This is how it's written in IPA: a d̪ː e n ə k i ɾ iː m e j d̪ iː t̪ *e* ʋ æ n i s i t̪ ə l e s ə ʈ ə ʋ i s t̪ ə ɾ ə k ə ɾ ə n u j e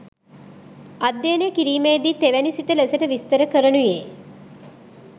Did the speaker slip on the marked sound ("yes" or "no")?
no